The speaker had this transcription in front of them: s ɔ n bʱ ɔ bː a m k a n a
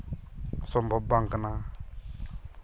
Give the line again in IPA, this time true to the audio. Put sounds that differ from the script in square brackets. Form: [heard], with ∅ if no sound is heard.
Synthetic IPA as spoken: s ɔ [m] bʱ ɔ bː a [ŋ] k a n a